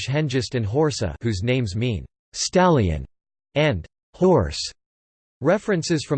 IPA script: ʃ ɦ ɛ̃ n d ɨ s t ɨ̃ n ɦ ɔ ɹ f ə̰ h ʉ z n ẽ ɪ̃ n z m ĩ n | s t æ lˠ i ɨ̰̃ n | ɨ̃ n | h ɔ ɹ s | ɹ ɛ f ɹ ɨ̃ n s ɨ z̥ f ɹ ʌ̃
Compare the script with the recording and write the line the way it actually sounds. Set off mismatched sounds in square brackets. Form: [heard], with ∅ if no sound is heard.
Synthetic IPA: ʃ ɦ ɛ̃ n [d͡ʒ] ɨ s t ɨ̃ n ɦ ɔ ɹ [s] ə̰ h ʉ z n ẽ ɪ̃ [m] z m ĩ n | s t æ lˠ i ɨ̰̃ n | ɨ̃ n | h ɔ ɹ s | ɹ ɛ f ɹ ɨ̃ n s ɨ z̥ f ɹ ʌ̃